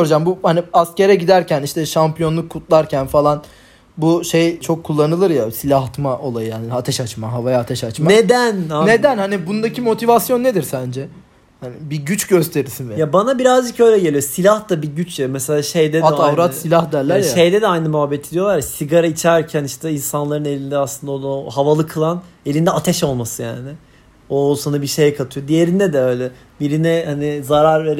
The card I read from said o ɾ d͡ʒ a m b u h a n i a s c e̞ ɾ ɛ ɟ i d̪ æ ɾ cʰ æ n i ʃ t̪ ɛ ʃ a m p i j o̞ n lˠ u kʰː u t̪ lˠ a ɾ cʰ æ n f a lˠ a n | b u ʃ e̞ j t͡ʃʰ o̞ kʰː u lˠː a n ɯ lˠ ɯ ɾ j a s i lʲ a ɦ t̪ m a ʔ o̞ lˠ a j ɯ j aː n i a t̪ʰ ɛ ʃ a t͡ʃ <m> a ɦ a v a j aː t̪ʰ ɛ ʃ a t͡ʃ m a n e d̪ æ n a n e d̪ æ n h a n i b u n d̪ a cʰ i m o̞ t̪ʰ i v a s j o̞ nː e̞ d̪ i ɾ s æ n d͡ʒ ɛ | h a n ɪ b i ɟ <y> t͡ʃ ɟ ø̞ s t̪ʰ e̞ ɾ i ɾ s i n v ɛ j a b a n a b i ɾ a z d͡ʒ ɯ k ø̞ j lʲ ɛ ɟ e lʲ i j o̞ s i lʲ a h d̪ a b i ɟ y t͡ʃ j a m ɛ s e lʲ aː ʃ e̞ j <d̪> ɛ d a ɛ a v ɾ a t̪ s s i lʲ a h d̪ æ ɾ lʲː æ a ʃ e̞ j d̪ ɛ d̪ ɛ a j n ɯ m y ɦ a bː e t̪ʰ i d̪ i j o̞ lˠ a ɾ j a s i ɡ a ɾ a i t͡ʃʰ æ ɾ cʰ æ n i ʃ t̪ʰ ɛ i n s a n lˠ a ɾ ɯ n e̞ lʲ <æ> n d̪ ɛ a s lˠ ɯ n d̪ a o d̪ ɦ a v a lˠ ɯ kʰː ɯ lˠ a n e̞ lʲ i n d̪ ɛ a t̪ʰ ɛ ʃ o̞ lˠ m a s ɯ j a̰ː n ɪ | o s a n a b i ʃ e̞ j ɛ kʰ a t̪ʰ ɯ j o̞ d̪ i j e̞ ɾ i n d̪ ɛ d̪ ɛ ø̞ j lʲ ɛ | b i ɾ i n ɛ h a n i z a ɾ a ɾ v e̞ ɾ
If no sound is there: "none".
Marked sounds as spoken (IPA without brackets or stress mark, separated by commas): m, y, d̪, i